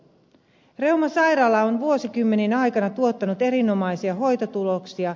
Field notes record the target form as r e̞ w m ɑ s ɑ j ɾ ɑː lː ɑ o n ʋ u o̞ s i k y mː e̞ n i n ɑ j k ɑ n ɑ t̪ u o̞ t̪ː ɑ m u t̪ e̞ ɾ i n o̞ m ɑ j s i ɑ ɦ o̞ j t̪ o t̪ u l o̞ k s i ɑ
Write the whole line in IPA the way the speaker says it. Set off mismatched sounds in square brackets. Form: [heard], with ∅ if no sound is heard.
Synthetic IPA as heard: r e̞ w m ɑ s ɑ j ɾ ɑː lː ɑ o n ʋ u o̞ s i k y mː e̞ n i n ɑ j k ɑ n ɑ t̪ u o̞ t̪ː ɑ [n] u t̪ e̞ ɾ i n o̞ m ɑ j s i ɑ ɦ o̞ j t̪ o t̪ u l o̞ k s i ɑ